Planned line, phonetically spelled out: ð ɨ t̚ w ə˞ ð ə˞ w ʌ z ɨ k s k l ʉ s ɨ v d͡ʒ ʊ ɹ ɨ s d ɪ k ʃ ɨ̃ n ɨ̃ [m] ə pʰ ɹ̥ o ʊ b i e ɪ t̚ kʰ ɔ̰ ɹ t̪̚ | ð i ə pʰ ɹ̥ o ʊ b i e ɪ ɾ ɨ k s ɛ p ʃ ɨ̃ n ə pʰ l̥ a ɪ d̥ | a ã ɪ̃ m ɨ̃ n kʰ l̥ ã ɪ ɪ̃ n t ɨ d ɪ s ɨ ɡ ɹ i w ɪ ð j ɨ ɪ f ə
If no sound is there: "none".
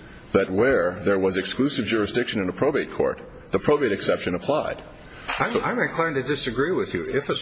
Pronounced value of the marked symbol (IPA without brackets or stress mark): n